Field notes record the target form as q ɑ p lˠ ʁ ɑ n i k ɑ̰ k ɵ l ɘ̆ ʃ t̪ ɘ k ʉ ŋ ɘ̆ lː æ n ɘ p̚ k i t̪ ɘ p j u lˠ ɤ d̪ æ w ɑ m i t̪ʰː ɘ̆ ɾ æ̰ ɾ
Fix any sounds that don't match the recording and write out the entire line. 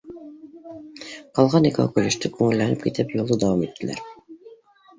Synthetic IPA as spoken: q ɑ lˠ ʁ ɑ n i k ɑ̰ k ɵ l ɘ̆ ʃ t̪ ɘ k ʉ ŋ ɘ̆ lː æ n ɘ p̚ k i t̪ ɘ p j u lˠ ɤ d̪ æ w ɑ m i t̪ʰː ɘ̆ l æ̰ ɾ